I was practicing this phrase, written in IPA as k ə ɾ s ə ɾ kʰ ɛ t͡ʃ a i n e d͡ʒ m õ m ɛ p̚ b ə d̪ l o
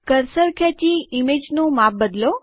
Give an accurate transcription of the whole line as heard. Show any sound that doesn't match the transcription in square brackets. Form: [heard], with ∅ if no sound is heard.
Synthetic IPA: k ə ɾ s ə ɾ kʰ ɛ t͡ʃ [i] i [m] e d͡ʒ [n] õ m [a] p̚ b ə d̪ l o